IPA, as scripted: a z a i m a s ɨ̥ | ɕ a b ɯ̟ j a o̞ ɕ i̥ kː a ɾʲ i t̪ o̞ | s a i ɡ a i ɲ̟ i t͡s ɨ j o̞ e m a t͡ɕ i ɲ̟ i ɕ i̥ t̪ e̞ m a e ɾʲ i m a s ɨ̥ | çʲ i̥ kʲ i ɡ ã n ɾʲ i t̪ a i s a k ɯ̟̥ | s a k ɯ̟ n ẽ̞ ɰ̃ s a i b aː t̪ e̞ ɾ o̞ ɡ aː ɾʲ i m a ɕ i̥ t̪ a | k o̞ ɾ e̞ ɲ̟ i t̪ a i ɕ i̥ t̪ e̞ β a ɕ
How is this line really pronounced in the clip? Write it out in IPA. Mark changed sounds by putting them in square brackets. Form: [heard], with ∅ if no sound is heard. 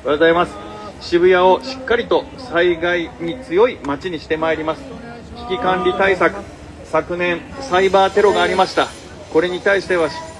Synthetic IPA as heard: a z a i m a s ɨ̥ | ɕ [i] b ɯ̟ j a o̞ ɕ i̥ kː a ɾʲ i t̪ o̞ | s a i ɡ a i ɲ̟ i t͡s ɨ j o̞ [i] m a t͡ɕ i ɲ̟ i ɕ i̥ t̪ e̞ m a e ɾʲ i m a s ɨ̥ | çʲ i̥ kʲ i [k] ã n ɾʲ i t̪ a i s a k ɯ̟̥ | s a k ɯ̟ n ẽ̞ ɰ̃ s a i b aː t̪ e̞ ɾ o̞ ɡ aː ɾʲ i m a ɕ i̥ t̪ a | k o̞ ɾ e̞ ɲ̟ i t̪ a i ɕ i̥ t̪ e̞ β a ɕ